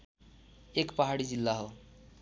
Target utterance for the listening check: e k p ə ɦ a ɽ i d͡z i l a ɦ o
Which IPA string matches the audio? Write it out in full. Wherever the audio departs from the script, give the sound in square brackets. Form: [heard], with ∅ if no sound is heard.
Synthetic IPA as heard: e k p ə ɦ a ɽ i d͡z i [lː] a ɦ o